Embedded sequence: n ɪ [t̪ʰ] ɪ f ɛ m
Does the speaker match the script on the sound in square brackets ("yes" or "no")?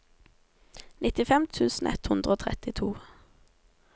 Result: no